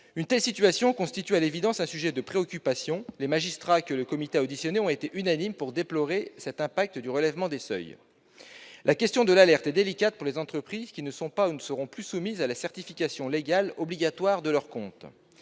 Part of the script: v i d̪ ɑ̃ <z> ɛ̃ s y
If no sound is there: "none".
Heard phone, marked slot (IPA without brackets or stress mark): s